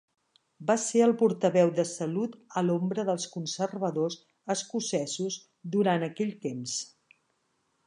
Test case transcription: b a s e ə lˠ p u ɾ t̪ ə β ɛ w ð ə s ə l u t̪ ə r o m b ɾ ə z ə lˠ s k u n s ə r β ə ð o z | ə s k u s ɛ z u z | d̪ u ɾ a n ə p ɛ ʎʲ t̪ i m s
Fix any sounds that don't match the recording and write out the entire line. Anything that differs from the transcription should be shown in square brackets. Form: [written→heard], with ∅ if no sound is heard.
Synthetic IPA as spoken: b a s e ə lˠ p u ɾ t̪ ə β ɛ w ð ə s ə l u t̪ ə [r→l] o m b ɾ ə [z→ð] ə lˠ s k u n s ə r β ə ð o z | ə s k u s ɛ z u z | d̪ u ɾ a n ə [p→k] ɛ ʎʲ t̪ [i→e] m s